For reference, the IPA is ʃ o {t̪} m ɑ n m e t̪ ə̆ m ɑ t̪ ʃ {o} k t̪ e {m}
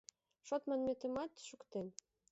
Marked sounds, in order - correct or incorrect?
correct, incorrect, incorrect

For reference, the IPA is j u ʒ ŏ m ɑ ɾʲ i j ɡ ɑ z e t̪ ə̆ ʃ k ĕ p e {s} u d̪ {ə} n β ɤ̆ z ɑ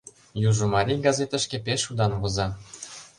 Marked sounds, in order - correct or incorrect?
incorrect, incorrect

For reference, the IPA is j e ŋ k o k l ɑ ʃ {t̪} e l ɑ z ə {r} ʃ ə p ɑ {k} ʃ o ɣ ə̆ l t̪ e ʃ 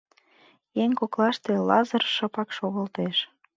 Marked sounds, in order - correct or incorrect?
correct, correct, correct

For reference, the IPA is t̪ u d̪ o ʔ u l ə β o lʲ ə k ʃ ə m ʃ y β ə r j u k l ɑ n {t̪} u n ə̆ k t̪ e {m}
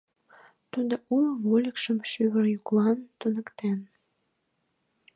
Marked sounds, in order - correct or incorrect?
correct, incorrect

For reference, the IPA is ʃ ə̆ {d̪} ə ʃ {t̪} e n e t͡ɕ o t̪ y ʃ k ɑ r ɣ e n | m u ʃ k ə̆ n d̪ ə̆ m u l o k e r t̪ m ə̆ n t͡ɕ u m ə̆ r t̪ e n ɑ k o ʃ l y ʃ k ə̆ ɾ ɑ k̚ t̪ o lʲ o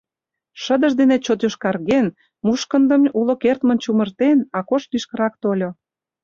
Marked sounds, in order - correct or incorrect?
correct, incorrect

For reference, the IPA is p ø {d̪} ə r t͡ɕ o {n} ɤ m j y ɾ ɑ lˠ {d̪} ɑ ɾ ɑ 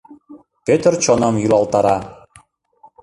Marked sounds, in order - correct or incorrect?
incorrect, correct, incorrect

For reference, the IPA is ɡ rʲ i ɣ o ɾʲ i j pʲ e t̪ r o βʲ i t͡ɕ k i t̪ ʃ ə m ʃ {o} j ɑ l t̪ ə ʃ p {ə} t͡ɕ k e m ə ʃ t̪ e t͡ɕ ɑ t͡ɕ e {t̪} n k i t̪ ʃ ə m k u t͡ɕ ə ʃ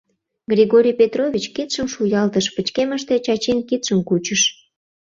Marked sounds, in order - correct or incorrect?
incorrect, correct, incorrect

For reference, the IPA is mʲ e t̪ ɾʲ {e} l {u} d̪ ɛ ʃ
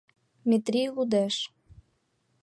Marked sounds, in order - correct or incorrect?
incorrect, correct

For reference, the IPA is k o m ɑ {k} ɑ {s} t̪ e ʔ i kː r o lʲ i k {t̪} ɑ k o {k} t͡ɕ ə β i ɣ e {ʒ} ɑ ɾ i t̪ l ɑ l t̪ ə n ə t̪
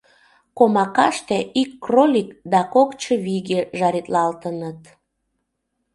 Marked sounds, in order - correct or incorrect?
correct, incorrect, incorrect, correct, correct

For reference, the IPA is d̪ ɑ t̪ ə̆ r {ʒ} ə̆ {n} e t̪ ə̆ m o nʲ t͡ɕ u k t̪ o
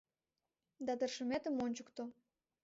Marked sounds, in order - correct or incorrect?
incorrect, incorrect

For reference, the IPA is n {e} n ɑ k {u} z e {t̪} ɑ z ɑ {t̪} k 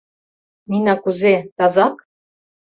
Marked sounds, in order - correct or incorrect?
incorrect, correct, correct, incorrect

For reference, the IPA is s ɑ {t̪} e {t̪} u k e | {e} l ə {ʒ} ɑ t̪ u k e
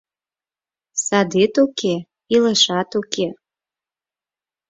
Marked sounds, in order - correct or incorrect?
incorrect, correct, incorrect, incorrect

